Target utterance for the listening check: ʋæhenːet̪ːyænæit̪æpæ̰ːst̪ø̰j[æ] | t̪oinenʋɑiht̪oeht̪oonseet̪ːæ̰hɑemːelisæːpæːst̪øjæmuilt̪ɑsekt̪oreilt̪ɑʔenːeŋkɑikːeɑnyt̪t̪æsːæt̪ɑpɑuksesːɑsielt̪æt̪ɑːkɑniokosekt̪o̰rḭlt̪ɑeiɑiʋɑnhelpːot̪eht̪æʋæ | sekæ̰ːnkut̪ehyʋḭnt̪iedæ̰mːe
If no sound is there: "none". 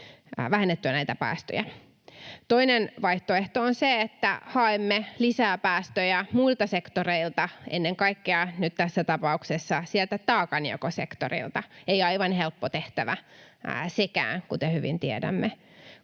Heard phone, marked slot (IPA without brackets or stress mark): æ